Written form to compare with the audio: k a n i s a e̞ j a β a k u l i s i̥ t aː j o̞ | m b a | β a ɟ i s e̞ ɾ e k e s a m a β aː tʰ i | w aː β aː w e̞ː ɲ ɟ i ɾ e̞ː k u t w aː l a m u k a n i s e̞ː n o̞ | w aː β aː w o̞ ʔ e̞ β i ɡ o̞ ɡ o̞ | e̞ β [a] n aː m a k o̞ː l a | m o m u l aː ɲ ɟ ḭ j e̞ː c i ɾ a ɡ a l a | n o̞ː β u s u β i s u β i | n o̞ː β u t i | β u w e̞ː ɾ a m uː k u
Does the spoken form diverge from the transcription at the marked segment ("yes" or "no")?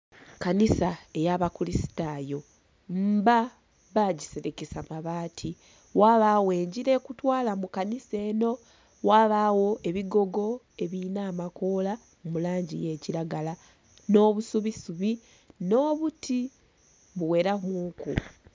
yes